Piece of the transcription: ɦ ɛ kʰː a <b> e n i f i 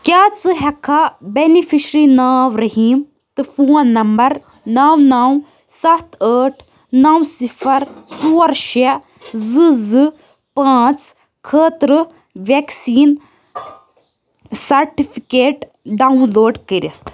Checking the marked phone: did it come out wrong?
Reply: no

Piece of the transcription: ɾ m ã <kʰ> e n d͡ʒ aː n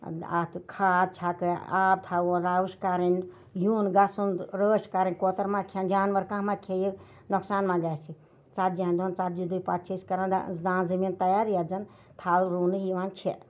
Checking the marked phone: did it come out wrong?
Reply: no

